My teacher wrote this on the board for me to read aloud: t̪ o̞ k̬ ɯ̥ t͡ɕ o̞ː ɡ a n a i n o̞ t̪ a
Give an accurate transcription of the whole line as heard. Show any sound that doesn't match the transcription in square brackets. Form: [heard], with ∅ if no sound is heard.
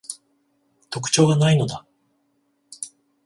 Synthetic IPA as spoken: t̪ o̞ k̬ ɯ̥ t͡ɕ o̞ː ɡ a n a i n o̞ [d̪] a